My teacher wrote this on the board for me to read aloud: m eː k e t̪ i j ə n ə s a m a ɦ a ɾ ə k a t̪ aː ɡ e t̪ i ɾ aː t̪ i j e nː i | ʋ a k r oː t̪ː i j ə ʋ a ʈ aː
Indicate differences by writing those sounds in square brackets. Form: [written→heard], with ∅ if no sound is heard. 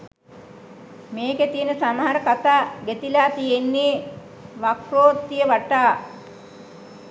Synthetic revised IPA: m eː k e t̪ i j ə n ə s a m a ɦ a ɾ ə k a t̪ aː ɡ e t̪ i [ɾ→l] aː t̪ i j e nː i | ʋ a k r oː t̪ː i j ə ʋ a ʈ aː

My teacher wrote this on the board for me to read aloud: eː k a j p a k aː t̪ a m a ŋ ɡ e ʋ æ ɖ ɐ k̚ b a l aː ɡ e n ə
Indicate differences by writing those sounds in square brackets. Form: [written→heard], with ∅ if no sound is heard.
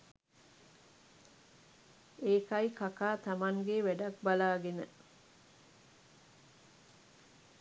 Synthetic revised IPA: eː k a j [p→k] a k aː t̪ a m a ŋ ɡ e ʋ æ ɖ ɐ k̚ b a l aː ɡ e n ə

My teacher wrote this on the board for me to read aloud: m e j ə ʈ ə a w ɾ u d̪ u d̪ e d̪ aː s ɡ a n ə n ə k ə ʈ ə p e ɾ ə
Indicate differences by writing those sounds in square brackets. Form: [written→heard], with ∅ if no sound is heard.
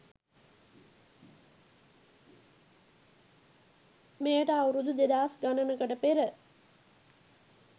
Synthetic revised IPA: m e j ə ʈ ə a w ɾ u d̪ u d̪ e d̪ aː s ɡ a n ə n ə k ə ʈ ə p e ɾ ə

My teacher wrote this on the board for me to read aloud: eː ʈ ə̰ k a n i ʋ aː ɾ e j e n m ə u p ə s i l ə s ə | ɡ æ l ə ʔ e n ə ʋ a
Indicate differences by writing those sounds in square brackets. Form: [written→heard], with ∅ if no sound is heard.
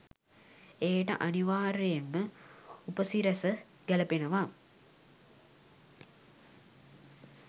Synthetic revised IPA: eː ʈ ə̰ [k→ʔ] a n i ʋ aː ɾ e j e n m ə u p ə s i [l→ɾ] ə s ə | ɡ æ l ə [ʔ→p] e n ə ʋ a

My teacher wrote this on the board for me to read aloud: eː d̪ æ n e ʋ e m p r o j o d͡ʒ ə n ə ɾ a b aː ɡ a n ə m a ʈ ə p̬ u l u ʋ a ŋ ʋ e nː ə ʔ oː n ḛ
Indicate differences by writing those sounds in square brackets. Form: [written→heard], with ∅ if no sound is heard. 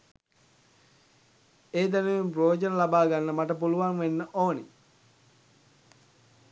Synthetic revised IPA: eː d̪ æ n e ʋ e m p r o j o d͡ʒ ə n ə [ɾ→l] a b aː ɡ a [n→nː] ə m a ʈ ə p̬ u l u ʋ a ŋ ʋ e nː ə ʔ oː n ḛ

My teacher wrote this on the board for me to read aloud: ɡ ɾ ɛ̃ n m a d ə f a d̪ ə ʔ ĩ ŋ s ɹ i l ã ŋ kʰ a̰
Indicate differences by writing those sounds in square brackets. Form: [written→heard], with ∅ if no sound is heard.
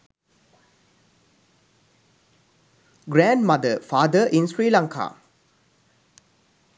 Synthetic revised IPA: ɡ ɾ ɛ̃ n m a d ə f a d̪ ə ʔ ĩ [ŋ→n] s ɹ i l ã ŋ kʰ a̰

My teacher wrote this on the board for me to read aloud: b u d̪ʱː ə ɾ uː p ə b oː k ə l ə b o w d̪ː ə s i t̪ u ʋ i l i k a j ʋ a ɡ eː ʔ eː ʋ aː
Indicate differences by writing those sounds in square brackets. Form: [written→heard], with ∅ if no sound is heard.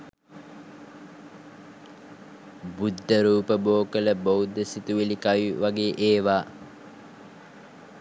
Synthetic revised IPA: b u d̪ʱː ə ɾ uː p ə b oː k ə l ə b o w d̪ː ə s i t̪ u ʋ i l i k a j ʋ a ɡ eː ʔ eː ʋ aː

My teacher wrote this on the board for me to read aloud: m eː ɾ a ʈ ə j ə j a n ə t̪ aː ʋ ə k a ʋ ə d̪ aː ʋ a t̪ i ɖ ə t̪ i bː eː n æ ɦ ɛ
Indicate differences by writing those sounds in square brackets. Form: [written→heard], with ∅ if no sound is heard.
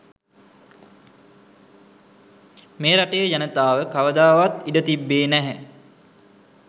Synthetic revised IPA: m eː ɾ a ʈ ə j ə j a n ə t̪ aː ʋ ə k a ʋ ə d̪ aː ʋ a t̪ i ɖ ə t̪ i bː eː n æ ɦ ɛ

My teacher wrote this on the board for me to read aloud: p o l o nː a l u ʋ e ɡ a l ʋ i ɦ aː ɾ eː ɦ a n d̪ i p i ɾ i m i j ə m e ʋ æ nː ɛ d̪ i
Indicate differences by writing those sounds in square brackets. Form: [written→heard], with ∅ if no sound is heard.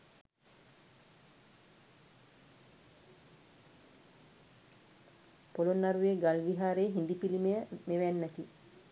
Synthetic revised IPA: p o l o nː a [l→ɾ] u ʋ e ɡ a l ʋ i ɦ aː ɾ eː ɦ [a→i] n d̪ i p i [ɾ→l] i m [i→e] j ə m e ʋ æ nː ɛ [d̪→t̪] i

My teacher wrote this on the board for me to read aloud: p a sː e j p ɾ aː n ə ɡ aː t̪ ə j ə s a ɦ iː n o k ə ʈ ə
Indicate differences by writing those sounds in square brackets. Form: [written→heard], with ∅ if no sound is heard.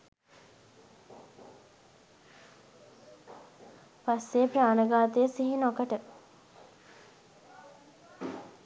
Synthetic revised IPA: p a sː e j p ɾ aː n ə ɡ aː t̪ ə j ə s [a→i] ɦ [iː→i] n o k ə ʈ ə

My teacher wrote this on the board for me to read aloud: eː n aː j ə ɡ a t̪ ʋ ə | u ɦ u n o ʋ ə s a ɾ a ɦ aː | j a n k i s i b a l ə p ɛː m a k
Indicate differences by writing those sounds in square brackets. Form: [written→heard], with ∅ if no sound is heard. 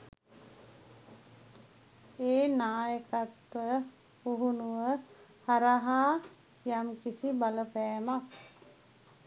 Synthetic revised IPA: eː n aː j ə [ɡ→k] a t̪ ʋ ə | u ɦ u n [o→u] ʋ ə [s→h] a ɾ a ɦ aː | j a [n→m] k i s i b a l ə p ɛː m a k

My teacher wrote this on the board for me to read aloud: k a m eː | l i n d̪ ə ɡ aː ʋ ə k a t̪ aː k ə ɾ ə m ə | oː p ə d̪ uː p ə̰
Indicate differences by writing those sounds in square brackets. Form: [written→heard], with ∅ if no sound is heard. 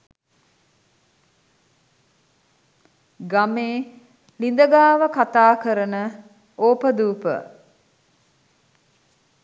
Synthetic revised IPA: [k→ɡ] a m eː | l i n d̪ ə ɡ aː ʋ ə k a t̪ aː k ə ɾ ə [m→n] ə | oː p ə d̪ uː p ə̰

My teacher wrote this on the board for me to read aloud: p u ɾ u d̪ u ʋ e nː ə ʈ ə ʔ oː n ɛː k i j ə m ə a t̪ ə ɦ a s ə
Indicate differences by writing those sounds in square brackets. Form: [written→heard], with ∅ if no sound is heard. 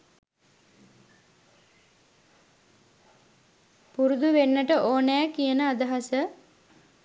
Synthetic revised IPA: p u ɾ u d̪ u ʋ e nː ə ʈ ə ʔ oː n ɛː k i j ə [m→n] ə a [t̪→d̪] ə ɦ a s ə

